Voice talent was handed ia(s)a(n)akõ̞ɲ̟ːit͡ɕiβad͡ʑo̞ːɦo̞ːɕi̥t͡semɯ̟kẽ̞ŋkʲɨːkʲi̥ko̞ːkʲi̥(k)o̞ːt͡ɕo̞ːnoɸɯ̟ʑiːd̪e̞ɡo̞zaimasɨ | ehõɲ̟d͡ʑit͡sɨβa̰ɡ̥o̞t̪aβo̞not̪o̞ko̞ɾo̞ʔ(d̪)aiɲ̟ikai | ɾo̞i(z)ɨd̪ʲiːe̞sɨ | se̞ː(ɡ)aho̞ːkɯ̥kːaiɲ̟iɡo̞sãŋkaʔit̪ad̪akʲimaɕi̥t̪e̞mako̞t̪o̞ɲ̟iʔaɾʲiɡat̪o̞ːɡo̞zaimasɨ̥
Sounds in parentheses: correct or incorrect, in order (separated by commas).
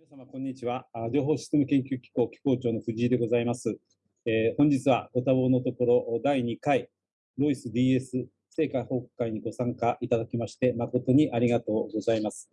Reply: correct, incorrect, correct, correct, incorrect, incorrect